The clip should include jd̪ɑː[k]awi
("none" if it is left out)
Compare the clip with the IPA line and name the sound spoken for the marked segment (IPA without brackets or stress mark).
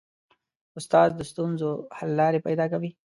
k